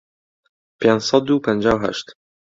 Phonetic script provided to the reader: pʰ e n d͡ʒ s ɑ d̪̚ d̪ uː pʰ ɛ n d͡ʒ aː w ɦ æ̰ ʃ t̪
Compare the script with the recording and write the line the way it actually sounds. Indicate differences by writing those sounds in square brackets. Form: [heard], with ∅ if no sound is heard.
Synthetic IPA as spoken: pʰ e n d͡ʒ s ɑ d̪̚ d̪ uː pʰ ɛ n d͡ʒ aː w ɦ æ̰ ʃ t̪